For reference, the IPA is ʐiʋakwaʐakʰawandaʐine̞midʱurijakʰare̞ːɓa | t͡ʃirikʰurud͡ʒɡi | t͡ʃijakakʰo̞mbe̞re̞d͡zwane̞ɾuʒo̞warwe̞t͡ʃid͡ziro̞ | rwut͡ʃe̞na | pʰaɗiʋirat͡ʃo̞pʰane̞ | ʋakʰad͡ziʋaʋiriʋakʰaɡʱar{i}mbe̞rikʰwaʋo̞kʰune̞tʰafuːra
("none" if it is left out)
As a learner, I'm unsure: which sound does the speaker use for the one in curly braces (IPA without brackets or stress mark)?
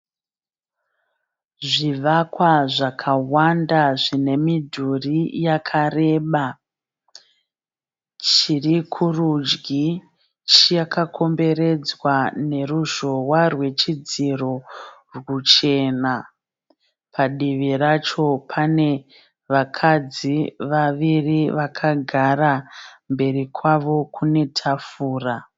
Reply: a